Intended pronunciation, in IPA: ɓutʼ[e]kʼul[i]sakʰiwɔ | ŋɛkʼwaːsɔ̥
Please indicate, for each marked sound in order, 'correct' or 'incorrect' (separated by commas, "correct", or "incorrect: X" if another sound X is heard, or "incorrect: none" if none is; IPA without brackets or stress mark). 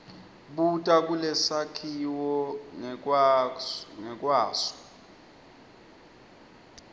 incorrect: a, incorrect: ɛ